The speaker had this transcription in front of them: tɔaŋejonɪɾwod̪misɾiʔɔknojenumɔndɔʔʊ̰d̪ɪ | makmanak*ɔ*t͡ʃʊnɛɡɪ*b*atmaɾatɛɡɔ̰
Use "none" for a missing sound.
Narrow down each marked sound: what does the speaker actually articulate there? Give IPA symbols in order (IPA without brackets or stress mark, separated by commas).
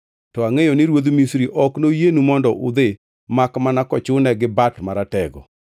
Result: ɔ, b